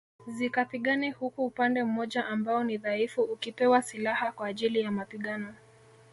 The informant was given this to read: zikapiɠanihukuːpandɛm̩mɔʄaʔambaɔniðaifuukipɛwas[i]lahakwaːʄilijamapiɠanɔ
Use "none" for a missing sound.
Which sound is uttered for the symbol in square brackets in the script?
i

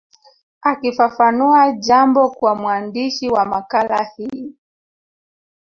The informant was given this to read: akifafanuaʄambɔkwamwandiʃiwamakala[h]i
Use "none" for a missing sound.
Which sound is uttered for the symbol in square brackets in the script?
h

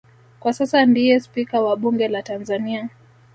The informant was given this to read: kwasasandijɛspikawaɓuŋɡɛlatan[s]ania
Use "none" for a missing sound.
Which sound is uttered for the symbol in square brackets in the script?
z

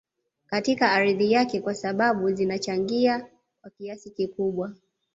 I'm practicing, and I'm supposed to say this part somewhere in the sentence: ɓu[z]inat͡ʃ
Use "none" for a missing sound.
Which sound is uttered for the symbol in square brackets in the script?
z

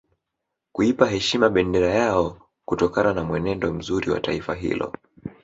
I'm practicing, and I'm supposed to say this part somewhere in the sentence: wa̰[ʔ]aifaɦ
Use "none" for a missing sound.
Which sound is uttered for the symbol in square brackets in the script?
t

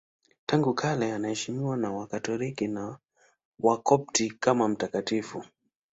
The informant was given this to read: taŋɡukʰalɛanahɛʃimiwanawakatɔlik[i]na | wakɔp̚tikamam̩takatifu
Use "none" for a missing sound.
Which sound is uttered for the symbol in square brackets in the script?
i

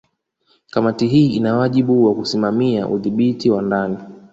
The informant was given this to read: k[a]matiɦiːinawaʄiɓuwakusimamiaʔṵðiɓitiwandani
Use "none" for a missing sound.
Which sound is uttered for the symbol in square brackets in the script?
a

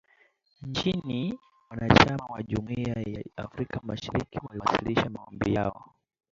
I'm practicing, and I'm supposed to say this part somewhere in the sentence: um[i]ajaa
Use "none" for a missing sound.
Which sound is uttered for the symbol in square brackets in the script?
i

